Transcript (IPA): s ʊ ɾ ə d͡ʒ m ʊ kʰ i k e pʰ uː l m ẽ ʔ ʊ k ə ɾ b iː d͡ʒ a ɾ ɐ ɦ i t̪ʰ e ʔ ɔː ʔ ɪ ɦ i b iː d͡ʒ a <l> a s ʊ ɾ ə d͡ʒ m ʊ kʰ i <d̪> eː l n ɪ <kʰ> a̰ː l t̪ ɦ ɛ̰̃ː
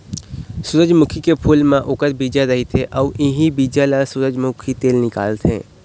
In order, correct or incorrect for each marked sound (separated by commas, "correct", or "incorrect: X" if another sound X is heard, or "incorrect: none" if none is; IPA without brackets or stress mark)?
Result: correct, incorrect: t̪, incorrect: k